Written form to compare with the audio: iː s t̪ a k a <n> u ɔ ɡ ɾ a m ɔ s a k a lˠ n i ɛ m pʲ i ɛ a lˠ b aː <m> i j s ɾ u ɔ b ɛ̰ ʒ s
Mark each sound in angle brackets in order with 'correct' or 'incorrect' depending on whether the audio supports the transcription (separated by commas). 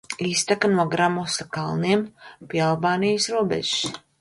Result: correct, incorrect